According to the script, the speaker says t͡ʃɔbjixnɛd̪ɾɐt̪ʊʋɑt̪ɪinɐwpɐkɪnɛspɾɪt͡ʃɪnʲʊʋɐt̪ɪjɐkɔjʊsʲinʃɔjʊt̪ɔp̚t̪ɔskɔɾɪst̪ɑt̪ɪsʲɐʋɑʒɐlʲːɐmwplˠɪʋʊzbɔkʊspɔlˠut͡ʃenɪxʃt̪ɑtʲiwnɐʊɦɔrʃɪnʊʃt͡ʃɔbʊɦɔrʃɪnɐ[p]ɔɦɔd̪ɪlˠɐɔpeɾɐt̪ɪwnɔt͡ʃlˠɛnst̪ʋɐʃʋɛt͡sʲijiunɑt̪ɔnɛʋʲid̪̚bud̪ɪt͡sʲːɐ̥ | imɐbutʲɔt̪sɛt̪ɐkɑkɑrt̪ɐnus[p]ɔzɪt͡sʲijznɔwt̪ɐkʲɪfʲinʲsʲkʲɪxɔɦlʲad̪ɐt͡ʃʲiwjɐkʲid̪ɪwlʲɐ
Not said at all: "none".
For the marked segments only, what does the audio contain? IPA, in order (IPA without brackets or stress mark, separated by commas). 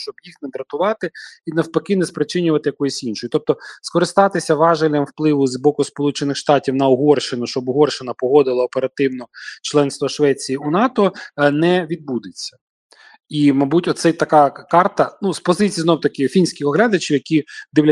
p, p